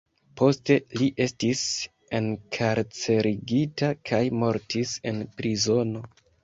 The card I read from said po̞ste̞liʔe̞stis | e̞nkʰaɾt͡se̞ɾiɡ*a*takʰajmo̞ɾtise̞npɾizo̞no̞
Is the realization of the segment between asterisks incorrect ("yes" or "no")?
yes